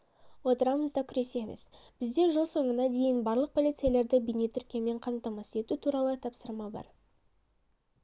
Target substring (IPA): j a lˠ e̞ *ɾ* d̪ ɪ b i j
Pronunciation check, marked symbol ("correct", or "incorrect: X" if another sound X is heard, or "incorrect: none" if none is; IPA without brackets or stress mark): correct